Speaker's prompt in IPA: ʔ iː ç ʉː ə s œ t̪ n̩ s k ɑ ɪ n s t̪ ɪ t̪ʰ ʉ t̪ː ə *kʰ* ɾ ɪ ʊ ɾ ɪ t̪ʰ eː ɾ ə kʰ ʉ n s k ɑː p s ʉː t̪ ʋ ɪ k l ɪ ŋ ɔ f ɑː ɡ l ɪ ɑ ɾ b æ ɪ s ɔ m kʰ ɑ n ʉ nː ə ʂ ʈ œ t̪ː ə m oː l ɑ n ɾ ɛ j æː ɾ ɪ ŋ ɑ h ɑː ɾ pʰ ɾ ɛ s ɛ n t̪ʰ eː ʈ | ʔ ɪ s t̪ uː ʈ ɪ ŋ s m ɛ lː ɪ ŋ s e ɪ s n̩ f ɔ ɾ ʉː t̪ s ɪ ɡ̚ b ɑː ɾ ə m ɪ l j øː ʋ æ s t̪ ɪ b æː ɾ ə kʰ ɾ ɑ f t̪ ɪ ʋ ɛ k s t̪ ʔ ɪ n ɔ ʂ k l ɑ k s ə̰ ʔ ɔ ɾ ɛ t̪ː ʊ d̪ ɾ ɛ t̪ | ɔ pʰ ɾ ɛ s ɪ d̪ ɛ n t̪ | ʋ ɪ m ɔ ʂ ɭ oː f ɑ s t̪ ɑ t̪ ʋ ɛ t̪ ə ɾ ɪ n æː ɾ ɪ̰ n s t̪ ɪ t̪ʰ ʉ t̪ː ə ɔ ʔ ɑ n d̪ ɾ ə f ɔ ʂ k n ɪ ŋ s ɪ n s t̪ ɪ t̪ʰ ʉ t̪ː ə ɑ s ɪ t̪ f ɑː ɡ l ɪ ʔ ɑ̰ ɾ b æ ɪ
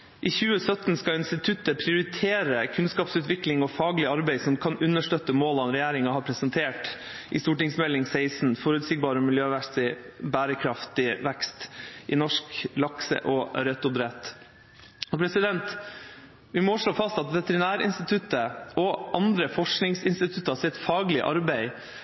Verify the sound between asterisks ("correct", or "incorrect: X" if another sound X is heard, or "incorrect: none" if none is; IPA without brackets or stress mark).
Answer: incorrect: pʰ